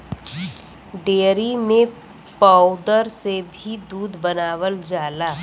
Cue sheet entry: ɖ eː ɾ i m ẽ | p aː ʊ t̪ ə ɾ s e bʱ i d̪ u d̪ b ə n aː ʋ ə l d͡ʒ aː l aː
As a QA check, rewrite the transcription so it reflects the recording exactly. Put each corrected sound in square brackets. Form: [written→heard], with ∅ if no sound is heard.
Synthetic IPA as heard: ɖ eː ɾ i m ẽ | p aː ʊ [t̪→d̪] ə ɾ s e bʱ i d̪ [u→uː] d̪ b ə n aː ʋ ə l d͡ʒ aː l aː